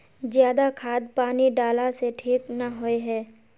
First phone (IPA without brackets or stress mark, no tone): z